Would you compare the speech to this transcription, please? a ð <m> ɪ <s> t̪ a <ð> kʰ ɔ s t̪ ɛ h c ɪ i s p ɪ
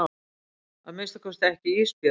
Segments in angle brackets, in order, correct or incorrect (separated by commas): correct, correct, incorrect